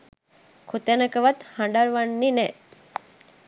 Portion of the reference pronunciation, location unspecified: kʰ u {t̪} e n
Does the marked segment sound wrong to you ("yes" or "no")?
no